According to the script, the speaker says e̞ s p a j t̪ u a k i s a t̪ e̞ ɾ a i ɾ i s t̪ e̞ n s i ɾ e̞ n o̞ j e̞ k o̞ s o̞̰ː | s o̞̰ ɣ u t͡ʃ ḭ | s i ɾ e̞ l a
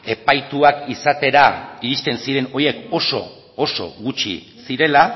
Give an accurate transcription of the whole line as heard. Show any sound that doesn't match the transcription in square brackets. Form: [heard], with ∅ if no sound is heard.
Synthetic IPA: e̞ [∅] p a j t̪ u a k i s a t̪ e̞ ɾ a i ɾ i s t̪ e̞ n s i ɾ e̞ n o̞ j e̞ k o̞ s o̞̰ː | s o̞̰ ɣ u t͡ʃ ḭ | s i ɾ e̞ l a